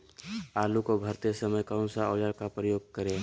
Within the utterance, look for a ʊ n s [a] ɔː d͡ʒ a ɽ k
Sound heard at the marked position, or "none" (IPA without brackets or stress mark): a